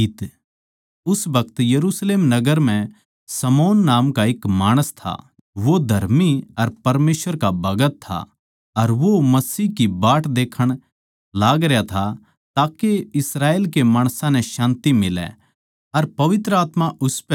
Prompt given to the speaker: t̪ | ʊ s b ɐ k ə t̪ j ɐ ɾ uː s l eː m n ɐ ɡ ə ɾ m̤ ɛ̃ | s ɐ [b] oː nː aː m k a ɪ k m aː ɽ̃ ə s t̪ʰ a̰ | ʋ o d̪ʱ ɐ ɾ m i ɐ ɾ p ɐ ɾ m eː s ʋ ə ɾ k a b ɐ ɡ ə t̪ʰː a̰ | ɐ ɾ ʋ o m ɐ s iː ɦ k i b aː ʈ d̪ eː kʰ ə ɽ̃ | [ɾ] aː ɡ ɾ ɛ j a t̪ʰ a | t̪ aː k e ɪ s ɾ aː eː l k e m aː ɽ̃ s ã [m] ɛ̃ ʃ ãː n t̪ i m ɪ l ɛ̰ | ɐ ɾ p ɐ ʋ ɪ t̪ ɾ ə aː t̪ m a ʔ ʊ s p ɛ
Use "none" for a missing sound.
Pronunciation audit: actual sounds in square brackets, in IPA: m, l, n

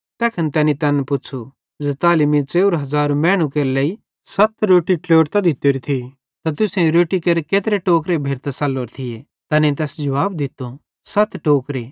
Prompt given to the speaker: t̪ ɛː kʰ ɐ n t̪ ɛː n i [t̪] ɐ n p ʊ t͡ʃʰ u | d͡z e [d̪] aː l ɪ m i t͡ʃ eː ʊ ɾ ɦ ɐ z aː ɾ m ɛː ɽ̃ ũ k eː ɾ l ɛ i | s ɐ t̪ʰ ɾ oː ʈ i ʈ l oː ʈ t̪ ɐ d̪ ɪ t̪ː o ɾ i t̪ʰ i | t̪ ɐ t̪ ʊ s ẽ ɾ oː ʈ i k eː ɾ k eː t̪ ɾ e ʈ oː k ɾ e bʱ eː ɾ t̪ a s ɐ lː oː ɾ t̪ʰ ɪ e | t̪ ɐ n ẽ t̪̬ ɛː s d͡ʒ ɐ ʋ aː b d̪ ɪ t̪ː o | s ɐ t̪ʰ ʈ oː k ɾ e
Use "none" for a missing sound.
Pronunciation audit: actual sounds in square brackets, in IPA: t̪, t̪

